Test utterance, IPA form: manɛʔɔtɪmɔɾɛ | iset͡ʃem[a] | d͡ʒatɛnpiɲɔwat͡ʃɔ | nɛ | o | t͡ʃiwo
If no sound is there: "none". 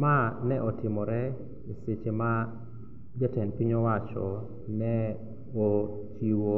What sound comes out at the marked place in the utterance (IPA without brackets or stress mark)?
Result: a